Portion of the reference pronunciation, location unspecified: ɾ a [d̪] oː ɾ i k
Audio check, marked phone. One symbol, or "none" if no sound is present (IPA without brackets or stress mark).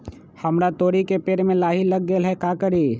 t̪